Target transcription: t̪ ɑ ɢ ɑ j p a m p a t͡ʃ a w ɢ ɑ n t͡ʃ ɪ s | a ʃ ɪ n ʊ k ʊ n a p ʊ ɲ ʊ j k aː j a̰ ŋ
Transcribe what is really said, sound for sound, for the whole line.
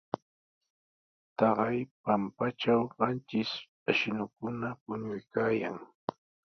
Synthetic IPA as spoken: t̪ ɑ ɢ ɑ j p a m p a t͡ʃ a w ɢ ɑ n t͡ʃ ɪ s | a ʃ ɪ n ʊ k ʊ n a p ʊ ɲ ʊ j k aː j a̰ ŋ